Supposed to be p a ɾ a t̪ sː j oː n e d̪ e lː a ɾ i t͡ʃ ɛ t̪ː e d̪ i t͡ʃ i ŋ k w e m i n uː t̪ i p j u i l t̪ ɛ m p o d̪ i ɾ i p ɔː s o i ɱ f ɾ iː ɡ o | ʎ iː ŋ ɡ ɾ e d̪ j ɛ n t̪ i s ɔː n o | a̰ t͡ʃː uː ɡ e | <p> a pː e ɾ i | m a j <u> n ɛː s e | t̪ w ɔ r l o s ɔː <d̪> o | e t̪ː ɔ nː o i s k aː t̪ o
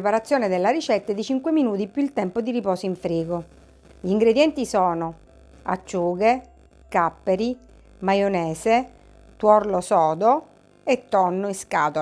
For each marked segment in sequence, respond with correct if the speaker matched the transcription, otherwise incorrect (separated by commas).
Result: incorrect, incorrect, correct